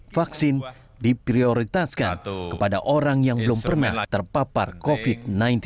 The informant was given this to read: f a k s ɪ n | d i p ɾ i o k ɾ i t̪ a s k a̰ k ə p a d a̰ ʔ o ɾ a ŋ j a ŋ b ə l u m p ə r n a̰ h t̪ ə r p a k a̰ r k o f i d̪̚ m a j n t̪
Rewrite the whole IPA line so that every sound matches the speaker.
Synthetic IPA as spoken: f a k s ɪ n | d i p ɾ i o ɾ i t̪ a s k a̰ k ə p a d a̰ ʔ o ɾ a ŋ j a ŋ b ə l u m p ə r n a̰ h t̪ ə r p a p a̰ r k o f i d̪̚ n a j n t̪